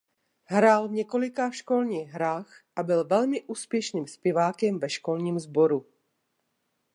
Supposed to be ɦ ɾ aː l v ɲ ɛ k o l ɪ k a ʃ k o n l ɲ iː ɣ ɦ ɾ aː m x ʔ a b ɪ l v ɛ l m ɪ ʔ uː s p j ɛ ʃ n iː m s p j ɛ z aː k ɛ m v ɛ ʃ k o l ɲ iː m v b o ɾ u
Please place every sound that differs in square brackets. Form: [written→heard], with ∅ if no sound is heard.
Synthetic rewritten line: ɦ ɾ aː l v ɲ ɛ k o l ɪ k a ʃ k o [n→∅] l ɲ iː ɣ ɦ ɾ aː [m→∅] x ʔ a b ɪ l v ɛ l m ɪ ʔ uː s p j ɛ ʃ n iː m s p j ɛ [z→v] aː k ɛ m v ɛ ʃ k o l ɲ iː m [v→z] b o ɾ u